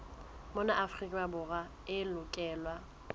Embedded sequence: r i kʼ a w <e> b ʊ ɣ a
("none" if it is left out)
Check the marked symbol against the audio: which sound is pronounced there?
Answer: a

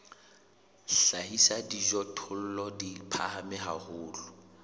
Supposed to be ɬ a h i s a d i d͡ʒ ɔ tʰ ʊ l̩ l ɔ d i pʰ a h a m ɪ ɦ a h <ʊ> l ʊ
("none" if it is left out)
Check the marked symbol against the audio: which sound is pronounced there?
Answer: ʊː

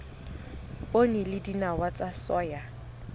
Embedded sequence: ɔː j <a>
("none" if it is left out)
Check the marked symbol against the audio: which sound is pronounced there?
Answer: a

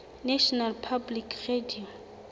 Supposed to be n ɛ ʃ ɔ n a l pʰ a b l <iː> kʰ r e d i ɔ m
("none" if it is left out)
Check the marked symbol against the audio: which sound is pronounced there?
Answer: i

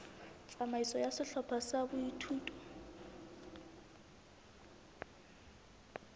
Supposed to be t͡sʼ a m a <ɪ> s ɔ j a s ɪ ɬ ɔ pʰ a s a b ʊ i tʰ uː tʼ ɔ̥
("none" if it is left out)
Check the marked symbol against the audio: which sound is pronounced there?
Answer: i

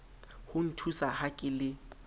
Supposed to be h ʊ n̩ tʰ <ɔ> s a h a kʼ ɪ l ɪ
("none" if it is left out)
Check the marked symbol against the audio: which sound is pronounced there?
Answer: u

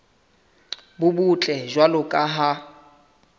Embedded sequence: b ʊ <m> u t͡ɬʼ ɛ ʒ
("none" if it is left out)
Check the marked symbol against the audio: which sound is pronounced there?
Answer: b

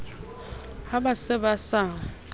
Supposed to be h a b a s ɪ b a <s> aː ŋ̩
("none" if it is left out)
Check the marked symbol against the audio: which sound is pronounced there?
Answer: s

